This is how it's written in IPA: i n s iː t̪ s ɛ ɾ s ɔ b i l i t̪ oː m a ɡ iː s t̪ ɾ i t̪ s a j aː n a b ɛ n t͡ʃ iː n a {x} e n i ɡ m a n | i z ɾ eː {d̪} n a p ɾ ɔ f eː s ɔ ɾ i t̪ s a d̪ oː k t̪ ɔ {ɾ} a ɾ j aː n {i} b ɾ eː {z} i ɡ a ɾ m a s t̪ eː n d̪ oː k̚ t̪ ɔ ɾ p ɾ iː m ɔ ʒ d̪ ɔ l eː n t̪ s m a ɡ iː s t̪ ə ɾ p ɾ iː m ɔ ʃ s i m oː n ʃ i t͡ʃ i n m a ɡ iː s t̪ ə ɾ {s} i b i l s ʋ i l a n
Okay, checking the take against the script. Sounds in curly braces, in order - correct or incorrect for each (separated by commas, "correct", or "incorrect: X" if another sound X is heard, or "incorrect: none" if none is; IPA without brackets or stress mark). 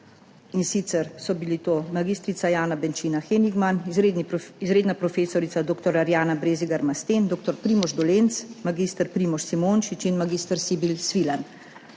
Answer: correct, correct, correct, incorrect: a, correct, correct